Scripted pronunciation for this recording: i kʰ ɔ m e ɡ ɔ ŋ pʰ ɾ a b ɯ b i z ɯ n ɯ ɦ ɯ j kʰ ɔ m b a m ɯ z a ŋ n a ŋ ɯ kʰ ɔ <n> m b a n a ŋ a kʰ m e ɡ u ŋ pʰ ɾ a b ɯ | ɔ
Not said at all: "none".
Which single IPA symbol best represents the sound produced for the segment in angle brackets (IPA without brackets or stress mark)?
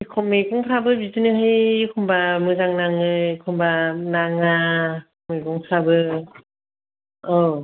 none